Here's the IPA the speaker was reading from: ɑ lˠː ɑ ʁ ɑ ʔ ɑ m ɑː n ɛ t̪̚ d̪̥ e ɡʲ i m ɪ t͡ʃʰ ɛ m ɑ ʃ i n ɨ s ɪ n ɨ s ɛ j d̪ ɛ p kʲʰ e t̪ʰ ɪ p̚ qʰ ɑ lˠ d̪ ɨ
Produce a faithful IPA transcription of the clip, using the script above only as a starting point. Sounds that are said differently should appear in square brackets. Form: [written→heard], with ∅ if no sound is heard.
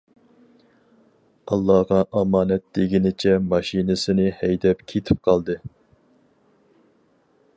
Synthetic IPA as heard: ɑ lˠː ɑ ʁ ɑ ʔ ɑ m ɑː n ɛ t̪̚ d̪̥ e ɡʲ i [m→n] ɪ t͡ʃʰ ɛ m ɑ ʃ i n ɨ s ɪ n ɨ [s→h] ɛ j d̪ ɛ p kʲʰ e t̪ʰ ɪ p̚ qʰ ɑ lˠ d̪ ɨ